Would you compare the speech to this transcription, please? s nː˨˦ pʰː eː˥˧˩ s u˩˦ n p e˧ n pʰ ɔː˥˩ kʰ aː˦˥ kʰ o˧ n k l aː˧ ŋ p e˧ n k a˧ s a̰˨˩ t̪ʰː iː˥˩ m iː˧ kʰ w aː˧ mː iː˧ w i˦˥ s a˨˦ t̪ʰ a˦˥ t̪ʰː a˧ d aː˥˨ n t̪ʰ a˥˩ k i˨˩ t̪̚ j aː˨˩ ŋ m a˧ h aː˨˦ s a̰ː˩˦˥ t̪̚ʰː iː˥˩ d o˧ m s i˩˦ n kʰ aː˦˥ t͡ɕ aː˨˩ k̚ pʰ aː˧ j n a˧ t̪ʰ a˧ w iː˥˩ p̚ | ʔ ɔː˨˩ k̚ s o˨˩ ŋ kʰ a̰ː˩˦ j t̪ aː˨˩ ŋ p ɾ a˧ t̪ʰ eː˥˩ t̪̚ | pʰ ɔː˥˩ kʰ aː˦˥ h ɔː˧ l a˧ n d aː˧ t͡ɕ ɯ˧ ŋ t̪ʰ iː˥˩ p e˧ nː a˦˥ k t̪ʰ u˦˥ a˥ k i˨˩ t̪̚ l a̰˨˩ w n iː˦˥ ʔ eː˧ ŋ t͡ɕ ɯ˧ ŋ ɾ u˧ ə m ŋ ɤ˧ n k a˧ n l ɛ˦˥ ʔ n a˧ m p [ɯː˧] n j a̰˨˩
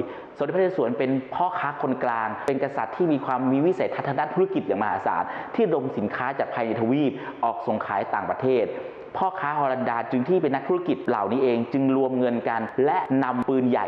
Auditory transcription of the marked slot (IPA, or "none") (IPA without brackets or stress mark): ɯː˧